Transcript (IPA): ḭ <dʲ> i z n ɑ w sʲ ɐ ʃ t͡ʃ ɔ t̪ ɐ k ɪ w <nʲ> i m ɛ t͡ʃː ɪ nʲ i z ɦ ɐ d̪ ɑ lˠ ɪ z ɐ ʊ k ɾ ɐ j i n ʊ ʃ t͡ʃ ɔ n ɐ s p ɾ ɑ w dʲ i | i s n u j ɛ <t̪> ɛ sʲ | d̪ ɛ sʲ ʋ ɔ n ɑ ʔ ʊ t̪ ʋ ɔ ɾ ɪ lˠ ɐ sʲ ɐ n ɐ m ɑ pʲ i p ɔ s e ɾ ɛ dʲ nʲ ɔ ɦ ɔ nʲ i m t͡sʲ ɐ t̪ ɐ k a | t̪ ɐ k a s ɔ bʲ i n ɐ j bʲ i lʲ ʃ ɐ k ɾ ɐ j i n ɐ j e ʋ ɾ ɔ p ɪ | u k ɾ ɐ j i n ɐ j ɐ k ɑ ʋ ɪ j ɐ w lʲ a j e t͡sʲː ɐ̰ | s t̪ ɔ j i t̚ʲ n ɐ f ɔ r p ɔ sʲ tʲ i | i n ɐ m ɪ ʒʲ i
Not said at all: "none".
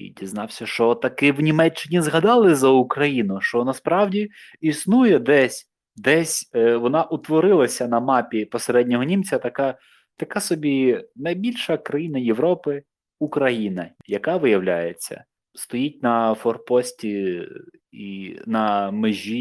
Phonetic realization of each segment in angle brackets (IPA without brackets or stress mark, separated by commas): dʲ, nʲ, d̪